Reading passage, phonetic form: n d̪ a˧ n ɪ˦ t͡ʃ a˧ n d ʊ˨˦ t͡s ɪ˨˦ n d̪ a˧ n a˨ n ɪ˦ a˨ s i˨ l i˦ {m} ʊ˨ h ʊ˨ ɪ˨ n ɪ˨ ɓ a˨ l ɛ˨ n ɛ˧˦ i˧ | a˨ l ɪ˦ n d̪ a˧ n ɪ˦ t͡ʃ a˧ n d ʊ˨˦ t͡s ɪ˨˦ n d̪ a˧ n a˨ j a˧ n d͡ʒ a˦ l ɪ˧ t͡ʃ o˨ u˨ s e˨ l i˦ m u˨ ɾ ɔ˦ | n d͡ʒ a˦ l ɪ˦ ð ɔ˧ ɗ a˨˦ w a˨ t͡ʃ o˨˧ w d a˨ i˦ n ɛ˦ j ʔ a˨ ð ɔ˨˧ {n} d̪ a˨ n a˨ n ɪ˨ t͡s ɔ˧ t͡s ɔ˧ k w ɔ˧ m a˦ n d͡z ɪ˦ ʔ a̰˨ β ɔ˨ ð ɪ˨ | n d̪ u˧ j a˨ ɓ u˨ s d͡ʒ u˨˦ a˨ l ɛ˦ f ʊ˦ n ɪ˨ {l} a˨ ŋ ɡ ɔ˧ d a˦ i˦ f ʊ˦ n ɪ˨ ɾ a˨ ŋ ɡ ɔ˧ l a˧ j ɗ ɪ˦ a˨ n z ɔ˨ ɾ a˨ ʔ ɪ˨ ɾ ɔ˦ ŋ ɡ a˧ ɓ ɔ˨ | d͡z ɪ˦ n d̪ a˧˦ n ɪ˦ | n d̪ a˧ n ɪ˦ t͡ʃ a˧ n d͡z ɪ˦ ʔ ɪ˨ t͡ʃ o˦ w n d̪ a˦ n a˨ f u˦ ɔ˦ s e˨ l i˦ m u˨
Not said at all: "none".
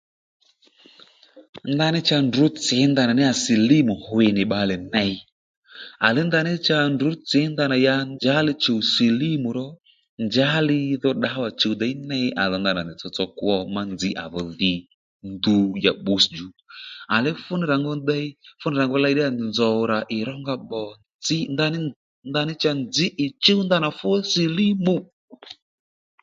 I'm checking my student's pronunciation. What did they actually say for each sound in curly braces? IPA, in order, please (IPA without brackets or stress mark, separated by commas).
m, n, ɾ